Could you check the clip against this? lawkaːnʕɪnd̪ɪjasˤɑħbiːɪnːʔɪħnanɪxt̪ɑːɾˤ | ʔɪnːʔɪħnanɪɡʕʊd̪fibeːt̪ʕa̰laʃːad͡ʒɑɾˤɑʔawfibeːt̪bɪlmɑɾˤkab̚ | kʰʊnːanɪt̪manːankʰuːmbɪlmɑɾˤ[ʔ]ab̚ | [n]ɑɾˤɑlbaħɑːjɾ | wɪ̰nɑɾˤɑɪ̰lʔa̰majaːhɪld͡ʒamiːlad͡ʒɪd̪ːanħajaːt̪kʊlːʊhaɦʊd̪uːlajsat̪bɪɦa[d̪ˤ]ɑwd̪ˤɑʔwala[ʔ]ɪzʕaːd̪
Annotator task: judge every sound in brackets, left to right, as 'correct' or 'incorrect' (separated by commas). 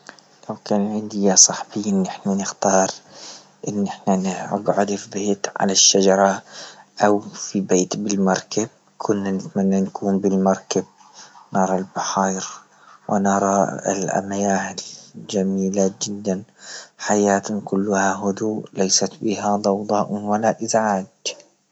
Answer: incorrect, correct, correct, correct